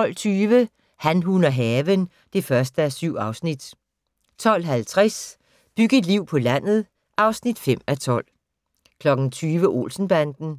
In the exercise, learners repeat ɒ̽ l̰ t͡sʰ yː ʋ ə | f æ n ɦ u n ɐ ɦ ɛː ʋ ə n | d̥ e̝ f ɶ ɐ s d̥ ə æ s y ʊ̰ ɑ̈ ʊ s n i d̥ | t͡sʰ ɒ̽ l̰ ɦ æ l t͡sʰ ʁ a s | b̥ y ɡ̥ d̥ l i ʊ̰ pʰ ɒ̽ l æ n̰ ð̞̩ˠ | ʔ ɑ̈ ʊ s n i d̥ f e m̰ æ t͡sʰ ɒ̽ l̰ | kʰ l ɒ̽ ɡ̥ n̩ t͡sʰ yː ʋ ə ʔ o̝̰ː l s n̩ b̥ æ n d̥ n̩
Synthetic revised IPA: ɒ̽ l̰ t͡sʰ yː ʋ ə | h æ n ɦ u n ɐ ɦ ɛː ʋ ə n | d̥ e̝ f ɶ ɐ s d̥ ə æ s y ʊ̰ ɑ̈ ʊ s n i d̥ | t͡sʰ ɒ̽ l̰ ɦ æ l t͡sʰ ʁ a s | b̥ y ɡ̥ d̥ l i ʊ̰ pʰ ɒ̽ l æ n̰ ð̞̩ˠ | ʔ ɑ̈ ʊ s n i d̥ f e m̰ æ t͡sʰ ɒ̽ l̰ | kʰ l ɒ̽ ɡ̥ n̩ t͡sʰ yː ʋ ə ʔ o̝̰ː l s n̩ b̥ æ n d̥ n̩